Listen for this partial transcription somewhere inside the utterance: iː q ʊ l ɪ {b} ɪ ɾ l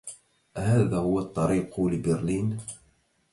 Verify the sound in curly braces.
correct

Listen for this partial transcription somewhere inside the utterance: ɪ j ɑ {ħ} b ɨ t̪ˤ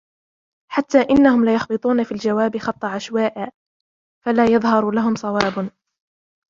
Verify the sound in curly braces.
incorrect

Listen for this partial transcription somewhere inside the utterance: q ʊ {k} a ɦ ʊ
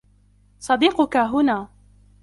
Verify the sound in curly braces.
correct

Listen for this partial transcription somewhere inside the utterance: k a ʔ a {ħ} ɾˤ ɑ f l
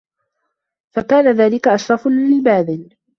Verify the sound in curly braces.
incorrect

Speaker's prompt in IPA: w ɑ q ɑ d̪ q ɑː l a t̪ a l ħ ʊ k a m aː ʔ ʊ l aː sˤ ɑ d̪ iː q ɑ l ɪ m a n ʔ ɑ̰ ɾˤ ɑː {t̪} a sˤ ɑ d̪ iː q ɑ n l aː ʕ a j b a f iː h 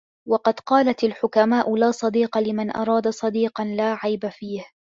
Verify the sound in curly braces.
incorrect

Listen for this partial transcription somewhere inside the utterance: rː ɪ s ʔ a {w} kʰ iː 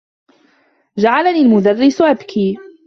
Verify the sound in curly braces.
incorrect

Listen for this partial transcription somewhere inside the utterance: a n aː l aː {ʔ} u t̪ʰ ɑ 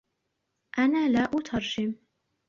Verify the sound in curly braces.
correct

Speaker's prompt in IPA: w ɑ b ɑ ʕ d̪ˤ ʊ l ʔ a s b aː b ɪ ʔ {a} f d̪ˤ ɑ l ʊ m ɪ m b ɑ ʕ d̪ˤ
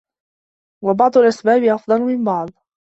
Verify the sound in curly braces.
incorrect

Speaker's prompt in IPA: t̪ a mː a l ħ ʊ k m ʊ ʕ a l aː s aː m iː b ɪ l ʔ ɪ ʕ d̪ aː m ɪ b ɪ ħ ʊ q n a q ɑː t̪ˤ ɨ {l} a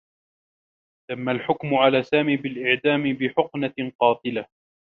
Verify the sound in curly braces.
correct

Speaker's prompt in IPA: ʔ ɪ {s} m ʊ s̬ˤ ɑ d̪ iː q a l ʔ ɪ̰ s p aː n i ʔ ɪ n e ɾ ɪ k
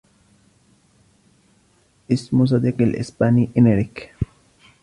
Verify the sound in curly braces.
correct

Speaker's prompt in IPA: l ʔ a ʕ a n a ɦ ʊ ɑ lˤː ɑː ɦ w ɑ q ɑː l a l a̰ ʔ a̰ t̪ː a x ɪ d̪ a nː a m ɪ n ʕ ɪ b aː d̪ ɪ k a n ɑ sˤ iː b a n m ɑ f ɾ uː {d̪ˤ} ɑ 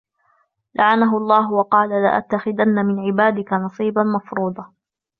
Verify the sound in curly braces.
correct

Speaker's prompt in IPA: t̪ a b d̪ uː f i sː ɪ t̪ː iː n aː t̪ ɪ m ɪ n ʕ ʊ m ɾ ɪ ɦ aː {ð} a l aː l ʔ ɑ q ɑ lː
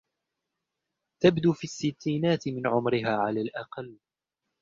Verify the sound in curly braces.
incorrect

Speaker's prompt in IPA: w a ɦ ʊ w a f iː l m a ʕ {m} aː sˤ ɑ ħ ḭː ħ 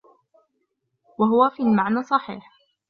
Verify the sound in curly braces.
incorrect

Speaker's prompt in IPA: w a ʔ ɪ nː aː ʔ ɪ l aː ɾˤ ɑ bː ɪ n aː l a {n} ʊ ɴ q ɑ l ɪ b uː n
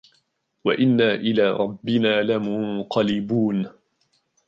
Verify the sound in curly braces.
incorrect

